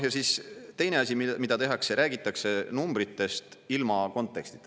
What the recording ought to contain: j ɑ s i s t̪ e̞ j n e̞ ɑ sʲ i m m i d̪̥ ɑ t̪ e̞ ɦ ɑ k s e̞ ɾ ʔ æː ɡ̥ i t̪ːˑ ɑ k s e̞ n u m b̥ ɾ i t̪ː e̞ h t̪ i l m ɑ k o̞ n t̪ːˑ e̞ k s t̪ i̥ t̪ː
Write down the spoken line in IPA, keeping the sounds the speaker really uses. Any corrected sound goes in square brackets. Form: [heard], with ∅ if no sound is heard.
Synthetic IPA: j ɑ s i s t̪ e̞ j n e̞ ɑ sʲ i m m i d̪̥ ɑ t̪ e̞ ɦ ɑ k s e̞ ɾ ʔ æː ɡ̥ i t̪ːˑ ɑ k s e̞ n u m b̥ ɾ i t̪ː e̞ [s] t̪ i l m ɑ k o̞ n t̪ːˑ e̞ k s t̪ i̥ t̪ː